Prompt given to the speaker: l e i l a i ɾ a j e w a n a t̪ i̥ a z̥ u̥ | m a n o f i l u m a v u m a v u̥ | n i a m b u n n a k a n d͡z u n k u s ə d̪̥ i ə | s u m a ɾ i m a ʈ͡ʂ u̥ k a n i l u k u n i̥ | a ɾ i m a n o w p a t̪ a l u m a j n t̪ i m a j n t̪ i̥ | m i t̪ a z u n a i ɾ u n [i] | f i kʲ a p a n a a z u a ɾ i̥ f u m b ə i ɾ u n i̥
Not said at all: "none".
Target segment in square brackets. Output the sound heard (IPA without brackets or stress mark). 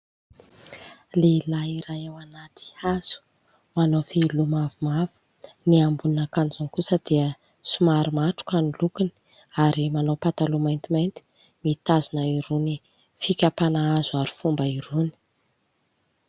i